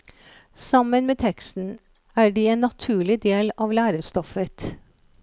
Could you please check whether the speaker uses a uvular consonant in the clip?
no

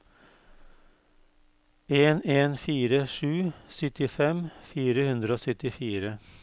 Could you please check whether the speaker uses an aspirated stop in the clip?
no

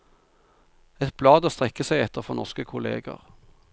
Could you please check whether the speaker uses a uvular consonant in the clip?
yes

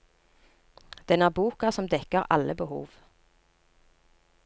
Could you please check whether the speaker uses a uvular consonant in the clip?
yes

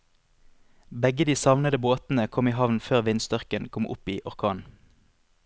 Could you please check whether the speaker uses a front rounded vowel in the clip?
yes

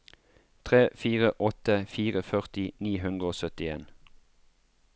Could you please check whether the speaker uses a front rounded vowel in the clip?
yes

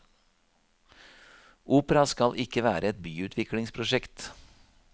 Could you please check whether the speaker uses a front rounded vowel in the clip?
yes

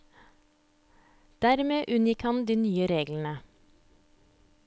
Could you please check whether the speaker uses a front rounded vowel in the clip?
yes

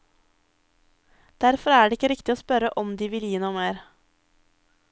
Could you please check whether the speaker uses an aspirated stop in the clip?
no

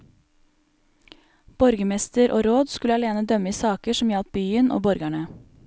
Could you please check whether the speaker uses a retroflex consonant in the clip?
yes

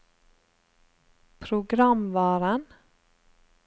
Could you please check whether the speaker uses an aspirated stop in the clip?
yes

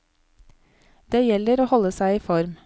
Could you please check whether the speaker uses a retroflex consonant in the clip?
no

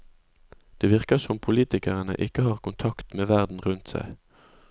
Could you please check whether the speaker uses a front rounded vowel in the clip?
no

